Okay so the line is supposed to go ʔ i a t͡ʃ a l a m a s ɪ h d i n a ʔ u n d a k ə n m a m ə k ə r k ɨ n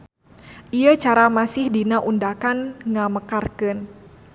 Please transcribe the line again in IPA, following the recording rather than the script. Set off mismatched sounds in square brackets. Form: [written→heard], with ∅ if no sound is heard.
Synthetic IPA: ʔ i a t͡ʃ a [l→ɾ] a m a s ɪ h d i n a ʔ u n d a k [ə→a] n [m→ŋ] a m ə k [ə→a] r k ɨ n